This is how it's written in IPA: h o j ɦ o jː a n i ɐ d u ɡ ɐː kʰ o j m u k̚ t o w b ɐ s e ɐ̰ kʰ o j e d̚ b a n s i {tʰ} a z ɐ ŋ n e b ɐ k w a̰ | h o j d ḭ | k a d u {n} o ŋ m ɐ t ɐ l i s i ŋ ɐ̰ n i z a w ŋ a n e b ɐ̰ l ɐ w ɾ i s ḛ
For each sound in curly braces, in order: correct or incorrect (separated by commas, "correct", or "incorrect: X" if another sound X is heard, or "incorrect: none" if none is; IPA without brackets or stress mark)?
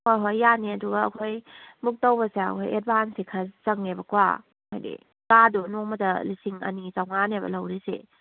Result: incorrect: kʰ, correct